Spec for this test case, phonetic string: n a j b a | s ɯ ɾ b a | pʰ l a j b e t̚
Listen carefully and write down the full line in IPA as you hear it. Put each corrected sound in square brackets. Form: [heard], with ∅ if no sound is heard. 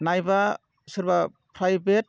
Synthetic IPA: n a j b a | s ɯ ɾ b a | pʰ [ɾ] a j b e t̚